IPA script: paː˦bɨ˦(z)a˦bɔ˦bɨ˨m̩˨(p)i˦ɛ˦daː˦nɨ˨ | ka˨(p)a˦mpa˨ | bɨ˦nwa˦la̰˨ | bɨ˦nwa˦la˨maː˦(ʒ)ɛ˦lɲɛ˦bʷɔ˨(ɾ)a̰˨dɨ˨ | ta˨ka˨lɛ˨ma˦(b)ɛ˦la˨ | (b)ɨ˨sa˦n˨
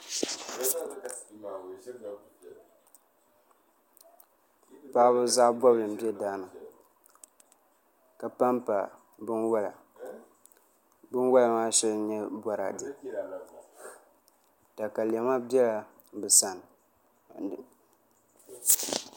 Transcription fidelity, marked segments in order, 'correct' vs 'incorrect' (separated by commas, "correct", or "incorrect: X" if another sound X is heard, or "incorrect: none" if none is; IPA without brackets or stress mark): correct, incorrect: b, correct, incorrect: ʃ, correct, correct, correct